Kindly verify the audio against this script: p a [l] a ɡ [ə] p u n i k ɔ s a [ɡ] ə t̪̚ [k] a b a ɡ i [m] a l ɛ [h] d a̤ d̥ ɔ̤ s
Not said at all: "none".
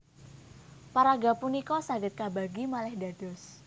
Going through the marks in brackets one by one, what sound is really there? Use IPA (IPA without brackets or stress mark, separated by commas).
ɾ, a, ɡ, k, m, h